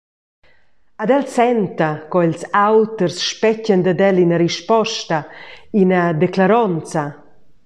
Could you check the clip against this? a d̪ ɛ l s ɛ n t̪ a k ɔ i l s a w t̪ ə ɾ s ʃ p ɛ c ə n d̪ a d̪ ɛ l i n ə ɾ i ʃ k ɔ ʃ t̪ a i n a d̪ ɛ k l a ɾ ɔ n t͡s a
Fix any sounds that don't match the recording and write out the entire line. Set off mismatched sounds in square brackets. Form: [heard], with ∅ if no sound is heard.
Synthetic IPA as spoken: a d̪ ɛ l s ɛ n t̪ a k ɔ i l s a w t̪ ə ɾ s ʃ p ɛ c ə n d̪ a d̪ ɛ l i n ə ɾ i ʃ [p] ɔ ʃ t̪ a i n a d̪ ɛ k l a ɾ ɔ n t͡s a